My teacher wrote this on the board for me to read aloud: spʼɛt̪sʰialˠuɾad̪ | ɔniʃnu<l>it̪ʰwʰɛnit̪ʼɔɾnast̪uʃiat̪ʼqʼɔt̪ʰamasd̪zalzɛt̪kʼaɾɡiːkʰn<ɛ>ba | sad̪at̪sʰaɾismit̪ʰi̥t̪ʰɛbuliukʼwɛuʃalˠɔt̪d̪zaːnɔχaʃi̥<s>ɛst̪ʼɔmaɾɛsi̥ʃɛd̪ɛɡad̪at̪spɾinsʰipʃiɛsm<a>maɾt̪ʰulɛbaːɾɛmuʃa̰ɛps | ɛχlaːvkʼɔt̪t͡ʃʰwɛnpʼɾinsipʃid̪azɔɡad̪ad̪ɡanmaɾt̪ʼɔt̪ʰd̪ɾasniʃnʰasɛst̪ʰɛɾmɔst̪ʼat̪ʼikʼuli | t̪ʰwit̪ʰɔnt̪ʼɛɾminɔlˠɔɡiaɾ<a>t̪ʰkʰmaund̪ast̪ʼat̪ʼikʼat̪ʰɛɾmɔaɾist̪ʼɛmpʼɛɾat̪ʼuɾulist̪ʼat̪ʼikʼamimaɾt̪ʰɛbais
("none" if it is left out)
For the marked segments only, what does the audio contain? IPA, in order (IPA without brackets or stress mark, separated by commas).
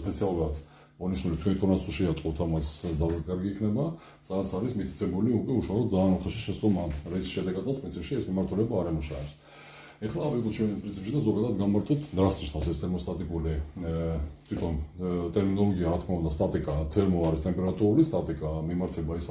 l, ɛ, ʃ, i, a